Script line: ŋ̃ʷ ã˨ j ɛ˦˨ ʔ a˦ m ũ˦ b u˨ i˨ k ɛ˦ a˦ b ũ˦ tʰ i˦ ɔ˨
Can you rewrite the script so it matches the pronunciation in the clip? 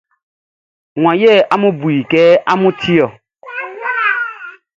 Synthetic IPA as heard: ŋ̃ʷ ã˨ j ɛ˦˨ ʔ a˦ m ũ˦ b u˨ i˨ k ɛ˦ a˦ m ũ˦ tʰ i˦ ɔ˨